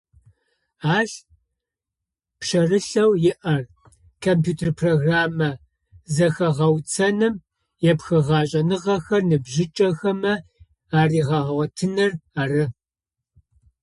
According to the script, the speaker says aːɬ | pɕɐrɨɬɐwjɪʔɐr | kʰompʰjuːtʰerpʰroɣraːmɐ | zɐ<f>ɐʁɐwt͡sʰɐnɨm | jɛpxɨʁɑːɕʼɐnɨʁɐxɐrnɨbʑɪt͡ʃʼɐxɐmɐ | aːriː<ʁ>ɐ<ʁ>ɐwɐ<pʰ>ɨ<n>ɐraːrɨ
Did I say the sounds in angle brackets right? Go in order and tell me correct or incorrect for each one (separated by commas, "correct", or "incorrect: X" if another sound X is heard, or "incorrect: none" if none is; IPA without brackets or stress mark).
incorrect: x, correct, correct, incorrect: tʰ, correct